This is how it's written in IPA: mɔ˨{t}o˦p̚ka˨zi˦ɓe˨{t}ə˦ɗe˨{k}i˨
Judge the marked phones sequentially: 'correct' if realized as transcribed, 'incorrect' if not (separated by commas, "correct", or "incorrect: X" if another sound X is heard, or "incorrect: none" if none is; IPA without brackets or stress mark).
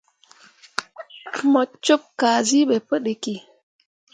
incorrect: t͡ʃ, incorrect: p, correct